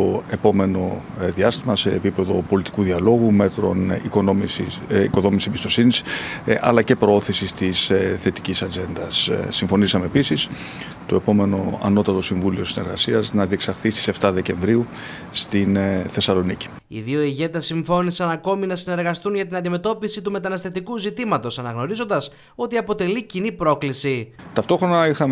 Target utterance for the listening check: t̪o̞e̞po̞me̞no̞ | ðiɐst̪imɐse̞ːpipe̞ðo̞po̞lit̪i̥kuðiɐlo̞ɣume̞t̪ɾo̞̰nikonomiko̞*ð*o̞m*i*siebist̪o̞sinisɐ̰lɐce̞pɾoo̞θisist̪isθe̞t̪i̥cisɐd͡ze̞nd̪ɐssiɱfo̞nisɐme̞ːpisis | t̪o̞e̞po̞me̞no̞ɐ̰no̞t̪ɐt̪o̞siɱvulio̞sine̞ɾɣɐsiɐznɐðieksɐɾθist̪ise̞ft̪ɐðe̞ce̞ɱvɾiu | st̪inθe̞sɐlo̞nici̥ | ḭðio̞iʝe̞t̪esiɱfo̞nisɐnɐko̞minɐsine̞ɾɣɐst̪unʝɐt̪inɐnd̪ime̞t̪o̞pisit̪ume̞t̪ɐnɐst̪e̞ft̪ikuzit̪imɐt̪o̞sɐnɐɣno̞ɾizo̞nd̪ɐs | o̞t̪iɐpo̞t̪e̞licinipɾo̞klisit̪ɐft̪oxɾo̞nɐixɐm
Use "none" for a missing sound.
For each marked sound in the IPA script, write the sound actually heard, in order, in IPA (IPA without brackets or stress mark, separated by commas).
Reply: ð, i